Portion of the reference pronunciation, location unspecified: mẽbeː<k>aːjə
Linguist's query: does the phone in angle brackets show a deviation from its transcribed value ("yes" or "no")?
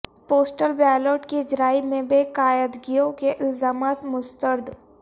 no